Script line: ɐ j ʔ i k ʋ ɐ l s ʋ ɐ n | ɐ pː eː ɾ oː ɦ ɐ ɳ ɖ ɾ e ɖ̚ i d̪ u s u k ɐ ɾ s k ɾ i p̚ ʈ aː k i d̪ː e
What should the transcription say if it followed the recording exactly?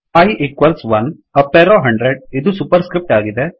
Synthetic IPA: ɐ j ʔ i k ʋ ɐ l s ʋ ɐ n | ɐ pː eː ɾ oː ɦ ɐ ɳ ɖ ɾ e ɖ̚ i d̪ u s u p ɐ ɾ s k ɾ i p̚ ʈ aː ɡ i d̪ e